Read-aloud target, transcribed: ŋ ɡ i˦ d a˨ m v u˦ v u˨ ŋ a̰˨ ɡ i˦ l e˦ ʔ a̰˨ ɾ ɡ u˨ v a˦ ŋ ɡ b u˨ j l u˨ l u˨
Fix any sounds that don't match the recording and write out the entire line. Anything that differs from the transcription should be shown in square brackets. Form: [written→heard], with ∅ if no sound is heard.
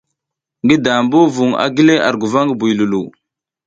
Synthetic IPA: ŋ ɡ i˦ d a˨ m [v→b] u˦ v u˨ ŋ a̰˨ ɡ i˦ l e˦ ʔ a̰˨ ɾ ɡ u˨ v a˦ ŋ ɡ b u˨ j l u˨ l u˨